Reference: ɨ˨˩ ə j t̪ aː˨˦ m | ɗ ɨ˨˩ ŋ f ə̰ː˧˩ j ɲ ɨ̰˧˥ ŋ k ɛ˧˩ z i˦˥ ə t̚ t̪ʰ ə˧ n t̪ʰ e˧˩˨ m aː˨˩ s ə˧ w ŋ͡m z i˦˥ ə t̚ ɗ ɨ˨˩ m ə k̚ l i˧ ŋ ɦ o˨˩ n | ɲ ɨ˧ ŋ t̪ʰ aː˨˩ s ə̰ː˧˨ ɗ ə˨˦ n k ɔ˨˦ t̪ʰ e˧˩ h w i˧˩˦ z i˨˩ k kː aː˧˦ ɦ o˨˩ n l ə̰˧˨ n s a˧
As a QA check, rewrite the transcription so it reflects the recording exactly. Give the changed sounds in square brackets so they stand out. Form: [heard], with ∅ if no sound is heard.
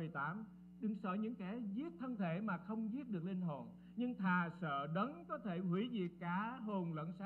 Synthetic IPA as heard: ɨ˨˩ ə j t̪ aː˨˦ m | ɗ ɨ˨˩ ŋ [s] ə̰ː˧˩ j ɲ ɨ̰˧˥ ŋ k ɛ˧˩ z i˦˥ ə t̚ t̪ʰ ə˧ n t̪ʰ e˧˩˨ m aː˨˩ [x] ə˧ w ŋ͡m z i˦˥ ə t̚ ɗ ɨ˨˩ [∅] ə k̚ l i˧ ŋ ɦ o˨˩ n | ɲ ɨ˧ ŋ t̪ʰ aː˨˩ s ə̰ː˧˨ ɗ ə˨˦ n k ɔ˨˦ t̪ʰ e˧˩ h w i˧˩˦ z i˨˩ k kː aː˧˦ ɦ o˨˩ n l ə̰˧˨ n s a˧